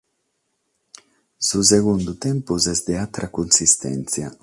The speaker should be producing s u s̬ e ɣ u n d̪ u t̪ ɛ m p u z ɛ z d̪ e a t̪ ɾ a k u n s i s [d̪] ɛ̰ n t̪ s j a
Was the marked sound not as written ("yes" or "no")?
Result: yes